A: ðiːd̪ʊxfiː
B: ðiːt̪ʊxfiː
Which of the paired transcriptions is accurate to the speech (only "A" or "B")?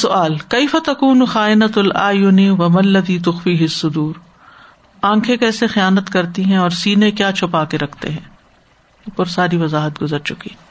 B